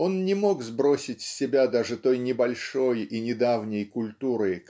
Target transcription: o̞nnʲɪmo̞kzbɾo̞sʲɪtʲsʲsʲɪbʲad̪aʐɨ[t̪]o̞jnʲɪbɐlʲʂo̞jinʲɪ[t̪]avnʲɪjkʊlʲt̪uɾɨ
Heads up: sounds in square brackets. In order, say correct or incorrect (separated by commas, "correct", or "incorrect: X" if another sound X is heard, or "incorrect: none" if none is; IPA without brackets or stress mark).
correct, incorrect: d̪